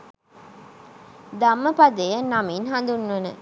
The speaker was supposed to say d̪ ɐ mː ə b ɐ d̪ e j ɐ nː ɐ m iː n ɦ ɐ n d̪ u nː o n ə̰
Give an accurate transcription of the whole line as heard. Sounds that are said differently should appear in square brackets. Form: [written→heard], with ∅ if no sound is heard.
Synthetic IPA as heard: d̪ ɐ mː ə [b→p] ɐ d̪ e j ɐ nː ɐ m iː n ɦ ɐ n d̪ u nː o n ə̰